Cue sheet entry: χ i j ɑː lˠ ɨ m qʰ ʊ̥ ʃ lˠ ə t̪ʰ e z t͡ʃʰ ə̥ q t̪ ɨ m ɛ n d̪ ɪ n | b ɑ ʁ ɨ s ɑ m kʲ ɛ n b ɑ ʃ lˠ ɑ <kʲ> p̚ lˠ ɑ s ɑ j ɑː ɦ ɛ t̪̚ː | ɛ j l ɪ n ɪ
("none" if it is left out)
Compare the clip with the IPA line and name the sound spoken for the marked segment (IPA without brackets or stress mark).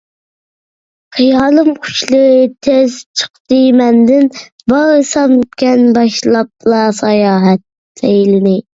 none